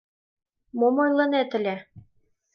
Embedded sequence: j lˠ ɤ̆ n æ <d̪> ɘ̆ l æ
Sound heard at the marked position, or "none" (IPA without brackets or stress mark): t̪